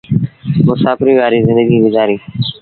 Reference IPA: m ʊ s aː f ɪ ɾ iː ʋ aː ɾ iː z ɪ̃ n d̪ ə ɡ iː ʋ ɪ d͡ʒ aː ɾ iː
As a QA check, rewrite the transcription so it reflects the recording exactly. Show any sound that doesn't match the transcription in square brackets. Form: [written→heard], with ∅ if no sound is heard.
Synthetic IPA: m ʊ s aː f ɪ ɾ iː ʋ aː ɾ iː z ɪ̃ n d̪ ə ɡ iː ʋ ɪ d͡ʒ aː ɾ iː